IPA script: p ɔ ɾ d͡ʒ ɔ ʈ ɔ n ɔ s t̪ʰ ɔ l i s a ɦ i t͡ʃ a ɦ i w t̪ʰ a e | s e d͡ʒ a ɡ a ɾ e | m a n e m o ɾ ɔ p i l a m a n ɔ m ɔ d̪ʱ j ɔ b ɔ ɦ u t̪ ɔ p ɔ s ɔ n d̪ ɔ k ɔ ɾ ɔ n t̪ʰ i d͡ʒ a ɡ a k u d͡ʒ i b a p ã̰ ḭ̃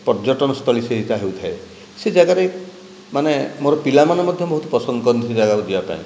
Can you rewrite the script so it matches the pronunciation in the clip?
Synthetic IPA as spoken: p ɔ ɾ d͡ʒ ɔ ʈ ɔ n ɔ s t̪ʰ ɔ l i s e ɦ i t͡ʃ a ɦ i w t̪ʰ a e | s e d͡ʒ a ɡ a ɾ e | m a n e m o ɾ ɔ p i l a m a n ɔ m ɔ d̪ʱ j ɔ b ɔ ɦ u t̪ ɔ p ɔ s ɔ n d̪ ɔ k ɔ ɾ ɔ n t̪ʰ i d͡ʒ a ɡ a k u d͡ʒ i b a p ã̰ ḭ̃